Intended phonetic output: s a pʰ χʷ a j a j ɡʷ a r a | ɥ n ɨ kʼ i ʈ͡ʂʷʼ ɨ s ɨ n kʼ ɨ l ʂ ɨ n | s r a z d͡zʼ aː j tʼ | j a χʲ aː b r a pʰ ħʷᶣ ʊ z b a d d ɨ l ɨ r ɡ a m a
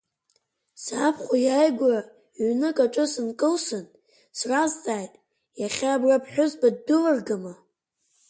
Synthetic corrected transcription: s a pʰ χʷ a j a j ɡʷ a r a | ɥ n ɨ kʼ a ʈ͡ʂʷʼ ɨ s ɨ n kʼ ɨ l s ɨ n | s r a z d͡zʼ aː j tʼ | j a χʲ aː b r a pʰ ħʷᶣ ʊ z b a d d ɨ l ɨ r ɡ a m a